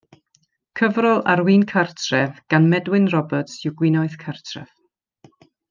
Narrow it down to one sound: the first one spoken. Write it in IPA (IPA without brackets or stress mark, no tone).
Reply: kʰ